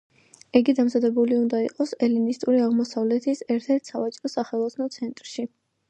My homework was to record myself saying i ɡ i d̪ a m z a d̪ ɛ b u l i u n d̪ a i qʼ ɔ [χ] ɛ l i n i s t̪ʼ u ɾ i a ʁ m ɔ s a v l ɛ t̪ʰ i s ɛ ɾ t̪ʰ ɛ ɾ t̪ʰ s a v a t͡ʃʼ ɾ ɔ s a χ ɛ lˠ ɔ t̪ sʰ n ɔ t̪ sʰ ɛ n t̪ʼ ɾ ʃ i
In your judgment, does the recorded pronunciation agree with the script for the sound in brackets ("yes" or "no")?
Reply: no